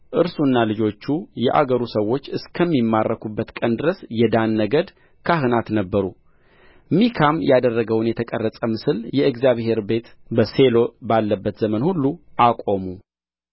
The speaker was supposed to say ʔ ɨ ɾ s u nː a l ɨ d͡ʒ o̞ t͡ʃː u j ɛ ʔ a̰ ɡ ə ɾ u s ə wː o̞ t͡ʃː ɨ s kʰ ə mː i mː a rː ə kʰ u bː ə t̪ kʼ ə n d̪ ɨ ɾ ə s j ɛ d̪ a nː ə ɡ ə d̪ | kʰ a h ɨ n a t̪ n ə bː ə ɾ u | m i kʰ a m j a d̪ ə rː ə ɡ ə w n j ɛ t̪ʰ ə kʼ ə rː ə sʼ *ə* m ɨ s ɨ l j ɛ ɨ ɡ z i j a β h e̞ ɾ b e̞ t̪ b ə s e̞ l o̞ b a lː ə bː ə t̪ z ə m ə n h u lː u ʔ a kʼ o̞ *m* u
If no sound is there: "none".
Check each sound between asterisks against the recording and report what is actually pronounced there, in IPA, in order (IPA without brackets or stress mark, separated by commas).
ə, m